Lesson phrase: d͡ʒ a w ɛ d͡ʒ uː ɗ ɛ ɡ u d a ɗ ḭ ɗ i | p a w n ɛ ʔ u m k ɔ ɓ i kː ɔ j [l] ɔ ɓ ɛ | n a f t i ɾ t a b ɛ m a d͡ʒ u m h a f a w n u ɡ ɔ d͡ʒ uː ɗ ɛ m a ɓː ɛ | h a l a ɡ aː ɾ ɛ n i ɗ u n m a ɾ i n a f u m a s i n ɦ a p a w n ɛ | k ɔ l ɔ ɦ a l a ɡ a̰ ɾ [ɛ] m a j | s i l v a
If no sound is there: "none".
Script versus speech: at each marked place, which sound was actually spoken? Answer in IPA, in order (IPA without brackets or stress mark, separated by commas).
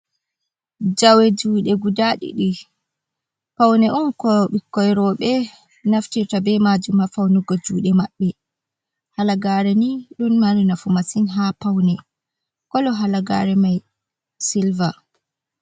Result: ɾ, ɛ